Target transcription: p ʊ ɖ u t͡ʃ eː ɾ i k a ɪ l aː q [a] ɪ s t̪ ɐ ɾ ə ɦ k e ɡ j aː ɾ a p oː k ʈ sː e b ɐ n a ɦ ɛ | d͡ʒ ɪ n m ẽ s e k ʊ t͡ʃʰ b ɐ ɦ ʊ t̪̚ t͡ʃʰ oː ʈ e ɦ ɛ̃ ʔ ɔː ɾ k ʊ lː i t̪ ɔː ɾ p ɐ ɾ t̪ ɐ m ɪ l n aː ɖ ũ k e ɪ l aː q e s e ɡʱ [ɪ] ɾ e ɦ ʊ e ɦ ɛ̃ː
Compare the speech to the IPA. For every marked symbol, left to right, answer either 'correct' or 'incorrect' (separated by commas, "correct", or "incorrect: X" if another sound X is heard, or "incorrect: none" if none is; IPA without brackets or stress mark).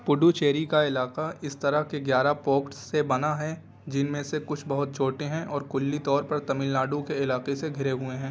correct, correct